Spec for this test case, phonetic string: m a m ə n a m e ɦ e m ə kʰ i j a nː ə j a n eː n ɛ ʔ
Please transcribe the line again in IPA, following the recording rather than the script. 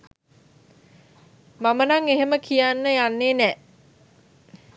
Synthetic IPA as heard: m a m ə n a ŋ e ɦ e m ə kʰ i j a nː ə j a nː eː n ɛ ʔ